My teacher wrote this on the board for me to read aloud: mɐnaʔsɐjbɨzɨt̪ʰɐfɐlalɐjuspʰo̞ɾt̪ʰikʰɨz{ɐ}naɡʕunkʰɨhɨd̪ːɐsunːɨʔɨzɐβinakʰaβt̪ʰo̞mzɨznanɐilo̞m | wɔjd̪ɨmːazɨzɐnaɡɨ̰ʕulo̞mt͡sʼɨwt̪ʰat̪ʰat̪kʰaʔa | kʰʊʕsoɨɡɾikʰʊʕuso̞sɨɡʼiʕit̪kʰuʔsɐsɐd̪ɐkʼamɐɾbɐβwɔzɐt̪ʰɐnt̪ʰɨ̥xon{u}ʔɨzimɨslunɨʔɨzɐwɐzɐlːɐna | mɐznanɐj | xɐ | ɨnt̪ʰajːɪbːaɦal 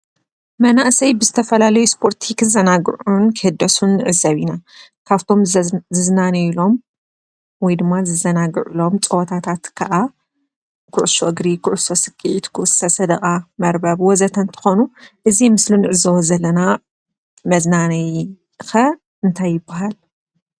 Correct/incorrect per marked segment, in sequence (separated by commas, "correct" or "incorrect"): correct, correct